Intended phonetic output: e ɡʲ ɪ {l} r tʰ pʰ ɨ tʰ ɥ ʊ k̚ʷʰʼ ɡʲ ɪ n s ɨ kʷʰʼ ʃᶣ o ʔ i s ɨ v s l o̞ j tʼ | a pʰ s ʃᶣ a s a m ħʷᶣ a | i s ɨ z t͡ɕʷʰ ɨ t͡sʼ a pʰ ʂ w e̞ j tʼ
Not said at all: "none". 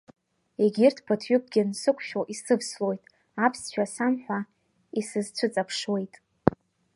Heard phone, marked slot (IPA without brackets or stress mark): none